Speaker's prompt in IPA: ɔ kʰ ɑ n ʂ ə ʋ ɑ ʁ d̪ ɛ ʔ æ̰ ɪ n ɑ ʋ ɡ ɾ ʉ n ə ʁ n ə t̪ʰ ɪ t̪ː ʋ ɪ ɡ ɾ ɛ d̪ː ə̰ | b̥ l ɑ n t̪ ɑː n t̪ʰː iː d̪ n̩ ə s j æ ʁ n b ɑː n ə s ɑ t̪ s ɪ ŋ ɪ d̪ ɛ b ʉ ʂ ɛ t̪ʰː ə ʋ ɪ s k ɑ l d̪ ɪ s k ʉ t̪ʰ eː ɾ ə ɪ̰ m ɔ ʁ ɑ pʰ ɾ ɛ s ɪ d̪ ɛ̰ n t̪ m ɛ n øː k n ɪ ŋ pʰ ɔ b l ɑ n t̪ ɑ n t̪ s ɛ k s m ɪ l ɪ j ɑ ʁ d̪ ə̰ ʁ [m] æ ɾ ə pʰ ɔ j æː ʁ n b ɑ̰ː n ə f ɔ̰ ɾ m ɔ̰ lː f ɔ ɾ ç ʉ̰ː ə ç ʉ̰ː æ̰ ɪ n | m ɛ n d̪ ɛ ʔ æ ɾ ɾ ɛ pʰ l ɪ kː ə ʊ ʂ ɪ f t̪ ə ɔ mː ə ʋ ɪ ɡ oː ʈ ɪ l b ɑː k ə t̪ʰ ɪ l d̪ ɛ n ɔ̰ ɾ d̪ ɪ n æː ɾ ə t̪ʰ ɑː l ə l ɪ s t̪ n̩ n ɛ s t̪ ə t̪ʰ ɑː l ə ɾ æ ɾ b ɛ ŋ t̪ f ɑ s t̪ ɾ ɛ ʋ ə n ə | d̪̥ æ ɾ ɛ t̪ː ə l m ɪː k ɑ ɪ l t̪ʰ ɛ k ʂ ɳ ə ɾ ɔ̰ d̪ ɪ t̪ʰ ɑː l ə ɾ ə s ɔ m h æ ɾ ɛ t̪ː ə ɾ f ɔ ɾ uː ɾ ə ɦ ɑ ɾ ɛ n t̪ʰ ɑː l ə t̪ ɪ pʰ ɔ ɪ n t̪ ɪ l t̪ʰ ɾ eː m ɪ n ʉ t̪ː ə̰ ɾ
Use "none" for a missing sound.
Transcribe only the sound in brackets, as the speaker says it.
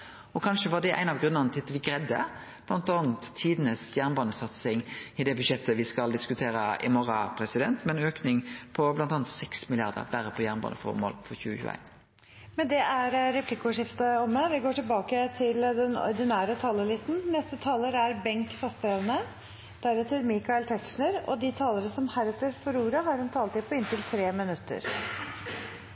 b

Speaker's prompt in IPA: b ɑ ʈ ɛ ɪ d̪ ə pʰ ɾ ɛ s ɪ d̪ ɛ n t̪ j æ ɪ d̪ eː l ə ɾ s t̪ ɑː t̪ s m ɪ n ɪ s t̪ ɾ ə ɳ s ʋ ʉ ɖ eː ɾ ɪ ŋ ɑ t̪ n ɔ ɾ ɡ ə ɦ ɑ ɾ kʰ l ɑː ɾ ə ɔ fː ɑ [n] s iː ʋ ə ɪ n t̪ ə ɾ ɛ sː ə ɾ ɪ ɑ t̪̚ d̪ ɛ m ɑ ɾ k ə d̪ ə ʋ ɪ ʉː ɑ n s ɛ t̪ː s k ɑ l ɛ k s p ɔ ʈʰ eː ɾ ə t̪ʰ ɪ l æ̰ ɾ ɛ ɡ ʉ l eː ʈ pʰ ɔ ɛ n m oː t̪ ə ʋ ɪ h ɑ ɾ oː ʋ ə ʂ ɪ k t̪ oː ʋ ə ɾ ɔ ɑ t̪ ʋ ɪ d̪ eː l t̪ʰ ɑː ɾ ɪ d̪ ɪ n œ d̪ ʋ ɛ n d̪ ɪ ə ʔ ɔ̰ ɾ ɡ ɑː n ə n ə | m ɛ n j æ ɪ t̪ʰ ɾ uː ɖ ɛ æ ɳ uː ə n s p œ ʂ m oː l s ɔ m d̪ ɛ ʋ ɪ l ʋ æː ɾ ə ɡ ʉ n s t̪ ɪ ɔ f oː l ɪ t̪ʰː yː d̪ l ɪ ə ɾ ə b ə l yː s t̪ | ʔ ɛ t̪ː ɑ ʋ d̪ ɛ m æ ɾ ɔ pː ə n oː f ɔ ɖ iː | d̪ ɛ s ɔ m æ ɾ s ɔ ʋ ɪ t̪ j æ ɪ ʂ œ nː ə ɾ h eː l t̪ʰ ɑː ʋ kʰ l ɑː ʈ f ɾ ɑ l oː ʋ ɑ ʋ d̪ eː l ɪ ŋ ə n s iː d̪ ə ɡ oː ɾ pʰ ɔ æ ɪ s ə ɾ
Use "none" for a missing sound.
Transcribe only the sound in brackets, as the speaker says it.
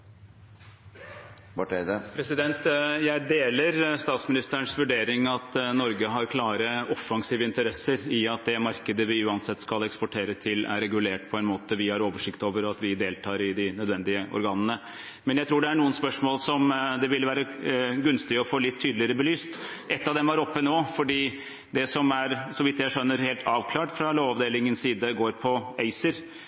ŋ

